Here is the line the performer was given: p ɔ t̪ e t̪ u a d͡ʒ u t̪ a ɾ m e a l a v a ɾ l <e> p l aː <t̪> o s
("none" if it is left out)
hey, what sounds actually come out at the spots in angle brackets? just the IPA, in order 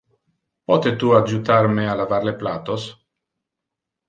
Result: e, t̪

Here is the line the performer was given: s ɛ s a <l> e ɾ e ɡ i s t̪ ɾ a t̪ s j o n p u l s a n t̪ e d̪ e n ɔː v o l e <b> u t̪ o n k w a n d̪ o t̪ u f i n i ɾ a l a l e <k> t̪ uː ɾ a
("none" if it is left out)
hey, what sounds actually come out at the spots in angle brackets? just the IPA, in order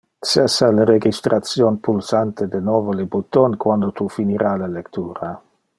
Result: l, b, k

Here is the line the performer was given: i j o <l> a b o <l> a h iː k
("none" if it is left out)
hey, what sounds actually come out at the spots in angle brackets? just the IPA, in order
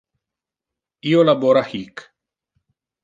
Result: l, ɾ

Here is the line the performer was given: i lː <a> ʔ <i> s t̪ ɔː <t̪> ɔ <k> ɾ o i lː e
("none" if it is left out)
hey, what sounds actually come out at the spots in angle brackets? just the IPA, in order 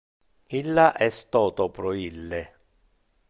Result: a, ɛ, t̪, p

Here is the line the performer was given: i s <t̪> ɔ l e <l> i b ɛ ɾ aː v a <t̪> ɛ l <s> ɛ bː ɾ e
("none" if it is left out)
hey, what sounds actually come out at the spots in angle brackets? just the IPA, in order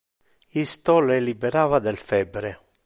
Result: t̪, l, d̪, f

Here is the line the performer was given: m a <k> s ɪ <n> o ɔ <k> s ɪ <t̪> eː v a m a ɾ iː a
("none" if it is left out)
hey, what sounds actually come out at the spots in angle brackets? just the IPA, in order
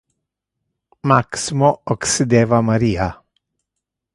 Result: k, m, k, d̪

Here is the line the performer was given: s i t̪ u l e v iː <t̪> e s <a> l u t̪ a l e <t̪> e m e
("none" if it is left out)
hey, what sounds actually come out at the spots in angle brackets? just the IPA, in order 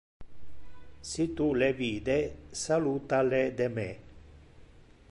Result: d̪, a, d̪

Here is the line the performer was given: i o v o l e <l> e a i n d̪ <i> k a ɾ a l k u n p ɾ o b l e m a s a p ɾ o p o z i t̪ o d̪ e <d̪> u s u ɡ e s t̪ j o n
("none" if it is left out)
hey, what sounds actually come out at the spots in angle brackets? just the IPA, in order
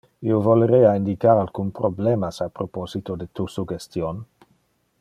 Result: ɾ, i, t̪

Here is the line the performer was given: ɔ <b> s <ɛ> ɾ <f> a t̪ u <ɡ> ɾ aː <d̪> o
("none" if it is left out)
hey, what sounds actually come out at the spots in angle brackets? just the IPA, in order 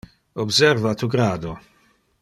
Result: b, ɛ, v, ɡ, d̪

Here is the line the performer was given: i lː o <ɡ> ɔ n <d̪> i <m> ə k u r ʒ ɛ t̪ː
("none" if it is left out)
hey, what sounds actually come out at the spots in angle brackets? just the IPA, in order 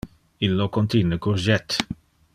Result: k, t̪, n

